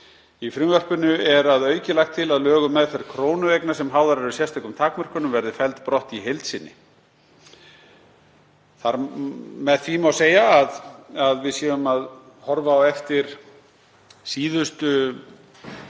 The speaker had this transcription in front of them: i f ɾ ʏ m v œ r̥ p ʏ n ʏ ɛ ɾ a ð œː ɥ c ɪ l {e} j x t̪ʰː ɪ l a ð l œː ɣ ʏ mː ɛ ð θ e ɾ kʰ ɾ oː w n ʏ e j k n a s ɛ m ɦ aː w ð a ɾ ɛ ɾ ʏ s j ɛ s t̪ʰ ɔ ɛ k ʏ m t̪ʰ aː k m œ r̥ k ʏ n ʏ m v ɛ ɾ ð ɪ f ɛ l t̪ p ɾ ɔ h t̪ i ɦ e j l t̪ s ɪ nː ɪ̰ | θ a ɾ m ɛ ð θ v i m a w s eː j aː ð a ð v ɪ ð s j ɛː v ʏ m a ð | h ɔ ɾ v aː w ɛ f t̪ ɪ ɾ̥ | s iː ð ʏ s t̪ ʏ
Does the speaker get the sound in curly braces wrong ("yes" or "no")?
yes